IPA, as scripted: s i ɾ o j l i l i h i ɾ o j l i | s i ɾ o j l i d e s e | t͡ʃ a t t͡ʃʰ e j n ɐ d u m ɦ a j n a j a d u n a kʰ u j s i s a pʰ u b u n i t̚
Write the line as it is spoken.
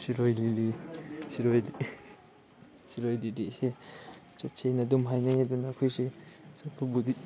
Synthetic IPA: s i ɾ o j l i l i s i ɾ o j l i | s i ɾ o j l i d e s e | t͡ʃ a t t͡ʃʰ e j n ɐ d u m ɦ a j n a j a d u n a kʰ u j s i s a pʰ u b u d i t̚